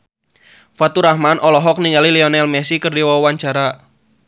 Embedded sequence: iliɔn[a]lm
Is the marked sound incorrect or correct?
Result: incorrect